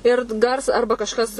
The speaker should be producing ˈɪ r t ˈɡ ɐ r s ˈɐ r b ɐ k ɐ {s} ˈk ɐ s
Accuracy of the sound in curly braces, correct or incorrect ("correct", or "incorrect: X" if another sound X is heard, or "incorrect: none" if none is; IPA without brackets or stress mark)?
incorrect: ʃ